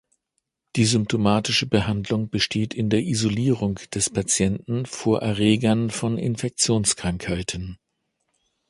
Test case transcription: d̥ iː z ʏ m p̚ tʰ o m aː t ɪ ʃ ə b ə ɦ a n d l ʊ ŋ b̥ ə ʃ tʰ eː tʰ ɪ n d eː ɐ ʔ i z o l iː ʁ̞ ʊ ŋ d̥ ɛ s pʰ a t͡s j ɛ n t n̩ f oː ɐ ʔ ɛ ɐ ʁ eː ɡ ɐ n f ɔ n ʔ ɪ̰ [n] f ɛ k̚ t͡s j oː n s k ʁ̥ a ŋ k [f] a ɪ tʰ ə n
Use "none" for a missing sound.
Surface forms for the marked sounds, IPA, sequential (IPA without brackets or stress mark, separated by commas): n, h